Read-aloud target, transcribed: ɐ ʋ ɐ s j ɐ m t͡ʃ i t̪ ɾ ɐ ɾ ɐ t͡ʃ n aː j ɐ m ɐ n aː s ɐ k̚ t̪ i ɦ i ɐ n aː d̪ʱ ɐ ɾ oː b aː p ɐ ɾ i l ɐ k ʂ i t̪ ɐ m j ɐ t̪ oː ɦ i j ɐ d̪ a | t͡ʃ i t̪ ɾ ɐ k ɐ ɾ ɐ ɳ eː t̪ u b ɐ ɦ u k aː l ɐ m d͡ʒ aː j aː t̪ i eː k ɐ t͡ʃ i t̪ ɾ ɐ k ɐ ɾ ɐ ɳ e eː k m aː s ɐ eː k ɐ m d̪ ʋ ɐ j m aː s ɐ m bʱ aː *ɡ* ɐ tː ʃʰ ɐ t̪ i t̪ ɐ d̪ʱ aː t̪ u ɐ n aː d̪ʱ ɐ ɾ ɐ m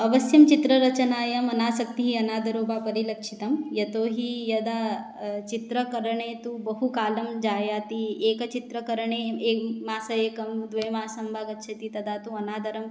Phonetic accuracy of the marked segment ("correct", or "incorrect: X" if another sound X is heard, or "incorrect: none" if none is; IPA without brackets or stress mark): correct